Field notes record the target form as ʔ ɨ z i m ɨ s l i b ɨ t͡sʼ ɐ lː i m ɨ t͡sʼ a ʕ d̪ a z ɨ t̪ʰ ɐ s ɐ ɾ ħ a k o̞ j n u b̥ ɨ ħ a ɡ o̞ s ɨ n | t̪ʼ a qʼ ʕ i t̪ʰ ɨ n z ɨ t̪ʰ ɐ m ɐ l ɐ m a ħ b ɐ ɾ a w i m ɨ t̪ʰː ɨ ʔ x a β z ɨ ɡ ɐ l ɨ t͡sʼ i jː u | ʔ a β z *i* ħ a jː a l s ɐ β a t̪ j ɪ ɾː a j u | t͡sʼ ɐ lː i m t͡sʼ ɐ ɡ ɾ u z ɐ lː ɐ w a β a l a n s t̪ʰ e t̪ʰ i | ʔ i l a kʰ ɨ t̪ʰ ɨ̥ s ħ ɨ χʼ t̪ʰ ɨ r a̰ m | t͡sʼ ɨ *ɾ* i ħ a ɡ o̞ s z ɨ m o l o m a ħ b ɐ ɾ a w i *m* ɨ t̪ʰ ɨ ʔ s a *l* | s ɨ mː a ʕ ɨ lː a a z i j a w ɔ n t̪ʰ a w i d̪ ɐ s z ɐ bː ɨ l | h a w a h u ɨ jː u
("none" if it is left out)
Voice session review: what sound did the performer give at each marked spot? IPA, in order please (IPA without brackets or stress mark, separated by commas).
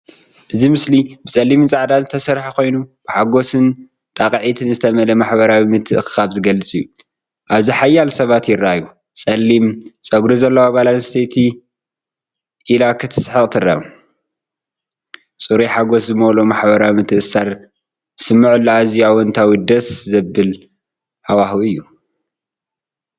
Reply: i, ɾ, m, ɾ